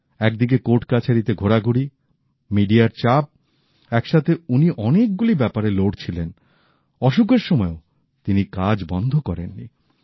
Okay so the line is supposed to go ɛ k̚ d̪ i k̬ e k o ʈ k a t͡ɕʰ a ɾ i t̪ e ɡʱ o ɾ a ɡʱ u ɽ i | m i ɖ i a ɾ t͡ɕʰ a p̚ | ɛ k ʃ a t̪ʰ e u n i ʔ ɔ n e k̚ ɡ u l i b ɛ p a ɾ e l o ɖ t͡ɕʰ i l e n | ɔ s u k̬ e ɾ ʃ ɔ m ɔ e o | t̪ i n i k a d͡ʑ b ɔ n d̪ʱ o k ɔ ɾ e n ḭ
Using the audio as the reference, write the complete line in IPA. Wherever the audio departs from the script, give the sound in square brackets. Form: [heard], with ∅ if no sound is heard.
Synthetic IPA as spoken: ɛ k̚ d̪ i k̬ e k o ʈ k a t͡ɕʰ a ɾ i t̪ e ɡʱ o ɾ a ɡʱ u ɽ i | m i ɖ i a ɾ [t͡ɕ] a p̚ | ɛ k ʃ a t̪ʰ e u n i ʔ ɔ n e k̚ ɡ u l i b ɛ p a ɾ e l o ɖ t͡ɕʰ i l e n | ɔ [ʃ] u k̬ e ɾ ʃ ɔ m ɔ e o | t̪ i n i k a d͡ʑ b ɔ n d̪ʱ o k ɔ ɾ e [nː] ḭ